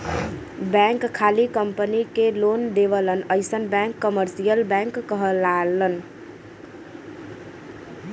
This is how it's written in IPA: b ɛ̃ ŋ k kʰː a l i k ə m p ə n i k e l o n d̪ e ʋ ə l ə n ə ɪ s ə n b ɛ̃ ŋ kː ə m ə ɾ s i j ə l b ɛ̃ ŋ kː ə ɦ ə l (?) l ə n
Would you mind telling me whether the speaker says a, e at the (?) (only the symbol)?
a